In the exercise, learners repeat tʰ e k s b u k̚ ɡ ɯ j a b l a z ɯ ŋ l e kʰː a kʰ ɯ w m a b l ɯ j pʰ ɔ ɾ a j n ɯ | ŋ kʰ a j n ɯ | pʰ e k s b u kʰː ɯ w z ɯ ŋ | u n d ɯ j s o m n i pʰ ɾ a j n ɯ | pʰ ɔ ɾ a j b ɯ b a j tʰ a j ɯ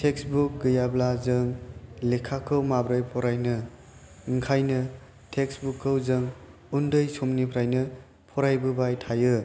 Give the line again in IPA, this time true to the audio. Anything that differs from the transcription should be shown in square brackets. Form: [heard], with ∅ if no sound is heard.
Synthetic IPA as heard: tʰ e k s b u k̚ ɡ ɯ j a b l a z ɯ ŋ l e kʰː a kʰ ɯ w m a b [ɾ] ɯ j pʰ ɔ ɾ a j n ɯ | ŋ kʰ a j n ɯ | [tʰ] e k s b u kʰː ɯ w z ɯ ŋ | u n d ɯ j s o m n i pʰ ɾ a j n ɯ | pʰ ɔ ɾ a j b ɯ b a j tʰ a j ɯ